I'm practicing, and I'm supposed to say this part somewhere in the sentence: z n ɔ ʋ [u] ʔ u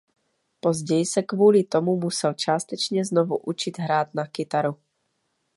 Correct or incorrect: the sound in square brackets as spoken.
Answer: correct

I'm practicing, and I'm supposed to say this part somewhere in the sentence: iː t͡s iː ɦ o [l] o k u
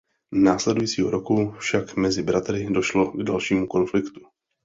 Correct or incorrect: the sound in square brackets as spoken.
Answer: incorrect: ɾ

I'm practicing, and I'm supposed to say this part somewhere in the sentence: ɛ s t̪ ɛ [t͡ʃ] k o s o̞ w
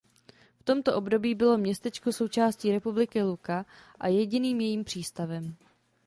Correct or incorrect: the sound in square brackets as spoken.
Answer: correct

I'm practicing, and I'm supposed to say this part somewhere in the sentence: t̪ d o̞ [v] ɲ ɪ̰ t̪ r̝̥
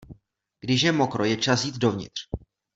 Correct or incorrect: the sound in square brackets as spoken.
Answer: correct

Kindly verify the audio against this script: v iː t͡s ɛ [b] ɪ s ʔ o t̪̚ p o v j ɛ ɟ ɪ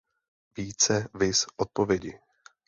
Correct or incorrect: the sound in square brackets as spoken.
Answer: incorrect: v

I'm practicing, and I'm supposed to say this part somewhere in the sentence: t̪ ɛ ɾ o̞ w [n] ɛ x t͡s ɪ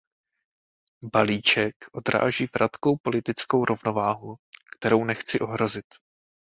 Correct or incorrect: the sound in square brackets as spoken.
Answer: correct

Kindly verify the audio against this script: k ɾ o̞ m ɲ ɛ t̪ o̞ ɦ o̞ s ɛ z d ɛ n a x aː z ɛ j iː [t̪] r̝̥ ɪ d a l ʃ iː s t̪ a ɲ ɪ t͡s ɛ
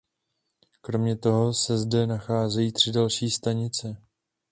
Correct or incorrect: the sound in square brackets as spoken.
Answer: correct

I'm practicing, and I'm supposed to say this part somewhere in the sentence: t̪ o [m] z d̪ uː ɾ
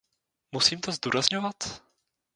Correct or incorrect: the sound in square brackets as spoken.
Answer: incorrect: none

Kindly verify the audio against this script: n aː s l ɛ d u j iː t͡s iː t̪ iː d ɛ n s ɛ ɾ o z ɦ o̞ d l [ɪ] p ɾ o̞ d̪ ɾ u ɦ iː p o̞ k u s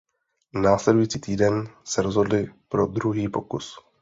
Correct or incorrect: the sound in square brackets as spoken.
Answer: correct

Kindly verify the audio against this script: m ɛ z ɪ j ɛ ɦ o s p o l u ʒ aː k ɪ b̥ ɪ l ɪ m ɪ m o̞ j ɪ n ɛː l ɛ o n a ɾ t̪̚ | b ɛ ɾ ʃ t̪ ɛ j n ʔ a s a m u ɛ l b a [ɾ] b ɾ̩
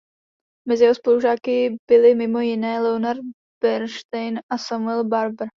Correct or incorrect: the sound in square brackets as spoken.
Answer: correct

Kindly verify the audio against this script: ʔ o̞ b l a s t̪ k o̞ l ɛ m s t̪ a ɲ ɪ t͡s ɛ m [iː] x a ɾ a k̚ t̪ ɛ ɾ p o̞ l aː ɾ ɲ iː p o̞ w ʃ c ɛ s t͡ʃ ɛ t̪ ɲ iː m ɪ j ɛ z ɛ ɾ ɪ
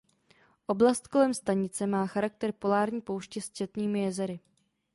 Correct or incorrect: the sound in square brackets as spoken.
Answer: incorrect: aː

